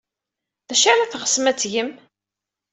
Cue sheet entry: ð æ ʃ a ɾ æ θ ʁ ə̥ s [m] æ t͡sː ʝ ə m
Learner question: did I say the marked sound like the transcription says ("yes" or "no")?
yes